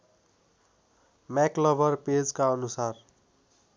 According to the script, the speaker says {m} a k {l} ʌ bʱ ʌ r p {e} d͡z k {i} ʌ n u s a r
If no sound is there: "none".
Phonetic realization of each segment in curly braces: m, l, e, a

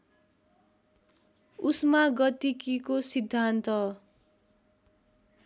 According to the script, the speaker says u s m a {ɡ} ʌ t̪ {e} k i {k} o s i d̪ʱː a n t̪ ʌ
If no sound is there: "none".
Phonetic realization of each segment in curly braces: ɡ, i, k

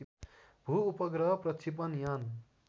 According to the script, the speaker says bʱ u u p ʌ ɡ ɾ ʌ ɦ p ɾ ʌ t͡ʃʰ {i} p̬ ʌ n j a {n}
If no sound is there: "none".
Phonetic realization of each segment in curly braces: i, n

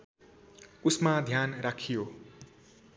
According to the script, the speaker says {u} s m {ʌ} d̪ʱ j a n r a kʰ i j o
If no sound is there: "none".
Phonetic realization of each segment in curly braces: u, a

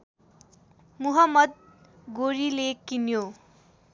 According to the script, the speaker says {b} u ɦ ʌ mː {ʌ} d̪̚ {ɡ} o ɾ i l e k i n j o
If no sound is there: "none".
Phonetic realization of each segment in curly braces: m, ʌ, ɡ

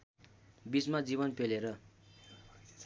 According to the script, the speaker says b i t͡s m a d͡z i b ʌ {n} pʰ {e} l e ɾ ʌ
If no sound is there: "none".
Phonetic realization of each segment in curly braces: n, e

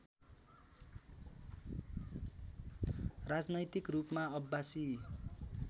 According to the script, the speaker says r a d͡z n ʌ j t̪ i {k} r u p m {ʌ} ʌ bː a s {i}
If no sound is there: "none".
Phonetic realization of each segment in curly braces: k, a, i

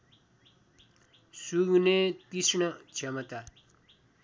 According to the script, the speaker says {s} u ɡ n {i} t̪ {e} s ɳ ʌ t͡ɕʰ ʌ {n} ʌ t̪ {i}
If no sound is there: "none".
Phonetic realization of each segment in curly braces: s, e, i, m, a

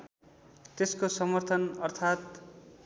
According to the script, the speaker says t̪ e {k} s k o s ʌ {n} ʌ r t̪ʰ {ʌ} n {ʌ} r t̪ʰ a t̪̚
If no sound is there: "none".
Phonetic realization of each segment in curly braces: none, m, ʌ, ʌ

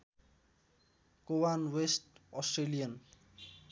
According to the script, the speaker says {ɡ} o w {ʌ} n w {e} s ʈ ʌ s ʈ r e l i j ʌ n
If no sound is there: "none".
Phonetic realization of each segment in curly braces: k, a, e

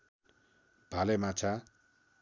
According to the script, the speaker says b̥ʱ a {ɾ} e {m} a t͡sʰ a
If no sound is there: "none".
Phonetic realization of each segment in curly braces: l, m

